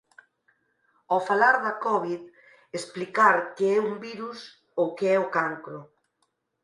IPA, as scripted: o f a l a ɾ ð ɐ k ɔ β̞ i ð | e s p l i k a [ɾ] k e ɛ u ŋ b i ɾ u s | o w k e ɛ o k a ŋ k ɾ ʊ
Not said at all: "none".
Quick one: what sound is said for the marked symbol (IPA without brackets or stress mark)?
ɾ